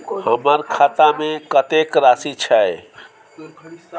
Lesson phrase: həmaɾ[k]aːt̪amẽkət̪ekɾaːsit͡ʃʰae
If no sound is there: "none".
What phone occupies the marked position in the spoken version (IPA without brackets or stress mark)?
kʰ